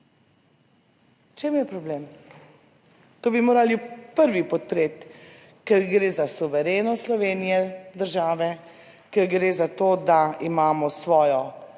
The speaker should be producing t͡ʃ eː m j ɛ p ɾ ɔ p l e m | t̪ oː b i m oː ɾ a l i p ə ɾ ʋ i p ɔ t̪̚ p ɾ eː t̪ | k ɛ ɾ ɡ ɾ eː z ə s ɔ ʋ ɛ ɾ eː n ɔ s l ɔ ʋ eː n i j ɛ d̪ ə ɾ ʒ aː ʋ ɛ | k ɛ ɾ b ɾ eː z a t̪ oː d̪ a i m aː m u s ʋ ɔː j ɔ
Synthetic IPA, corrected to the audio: t͡ʃ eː m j ɛ p ɾ ɔ b l e m | t̪ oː b i m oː ɾ a l i p ə ɾ ʋ i p ɔ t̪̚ p ɾ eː t̪ | k ɛ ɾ ɡ ɾ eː z a s u ʋ ɛ ɾ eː n ɔ s l ɔ ʋ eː n i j ɛ d̪ ə ɾ ʒ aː ʋ ɛ | k ɛ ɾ ɡ ɾ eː z a t̪ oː d̪ a i m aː m ɔ s ʋ ɔː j ɔ